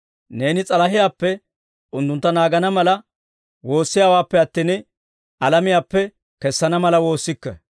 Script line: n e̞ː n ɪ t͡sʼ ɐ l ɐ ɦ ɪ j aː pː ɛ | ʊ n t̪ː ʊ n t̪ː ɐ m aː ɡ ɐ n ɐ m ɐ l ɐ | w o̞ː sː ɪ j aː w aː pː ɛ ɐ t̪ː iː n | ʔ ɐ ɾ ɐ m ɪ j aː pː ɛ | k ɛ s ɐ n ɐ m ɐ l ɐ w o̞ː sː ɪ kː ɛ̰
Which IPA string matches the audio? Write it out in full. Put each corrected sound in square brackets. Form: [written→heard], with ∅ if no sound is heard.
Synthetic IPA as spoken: n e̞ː n ɪ t͡sʼ ɐ l ɐ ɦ ɪ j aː pː ɛ | ʊ n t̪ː ʊ n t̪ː ɐ [m→n] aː ɡ ɐ n ɐ m ɐ l ɐ | w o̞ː sː ɪ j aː w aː pː ɛ ɐ t̪ː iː n | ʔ ɐ [ɾ→l] ɐ m ɪ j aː pː ɛ | k ɛ [s→sː] ɐ n ɐ m ɐ l ɐ w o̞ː sː ɪ kː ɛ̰